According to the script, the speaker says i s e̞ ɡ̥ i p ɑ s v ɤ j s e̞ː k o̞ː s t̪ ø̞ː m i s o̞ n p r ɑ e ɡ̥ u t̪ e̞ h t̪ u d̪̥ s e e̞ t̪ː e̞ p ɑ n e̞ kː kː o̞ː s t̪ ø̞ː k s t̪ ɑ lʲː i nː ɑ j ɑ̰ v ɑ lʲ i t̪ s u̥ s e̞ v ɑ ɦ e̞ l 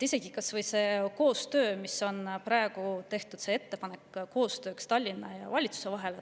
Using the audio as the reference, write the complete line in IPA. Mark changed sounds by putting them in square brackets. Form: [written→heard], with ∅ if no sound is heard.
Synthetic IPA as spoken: i s e̞ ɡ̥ i [p→k] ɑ s v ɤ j s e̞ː k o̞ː s t̪ ø̞ː m i s o̞ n p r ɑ e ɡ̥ u t̪ e̞ h t̪ u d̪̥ s e e̞ t̪ː e̞ p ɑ n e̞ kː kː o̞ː s t̪ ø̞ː k s t̪ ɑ lʲː i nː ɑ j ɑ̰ v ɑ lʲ i t̪ s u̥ s e̞ v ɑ ɦ e̞ l